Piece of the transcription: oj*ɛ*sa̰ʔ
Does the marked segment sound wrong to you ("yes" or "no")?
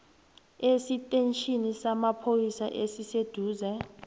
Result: yes